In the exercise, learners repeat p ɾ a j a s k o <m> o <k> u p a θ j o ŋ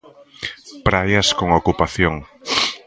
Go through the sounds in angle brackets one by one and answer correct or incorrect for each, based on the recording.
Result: incorrect, correct

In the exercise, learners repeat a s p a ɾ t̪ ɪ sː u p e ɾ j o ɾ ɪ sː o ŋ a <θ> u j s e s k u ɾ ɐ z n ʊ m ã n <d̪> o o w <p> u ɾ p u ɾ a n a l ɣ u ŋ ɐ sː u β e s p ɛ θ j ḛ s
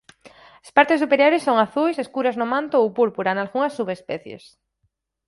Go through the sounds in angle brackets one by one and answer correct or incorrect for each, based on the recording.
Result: correct, incorrect, correct

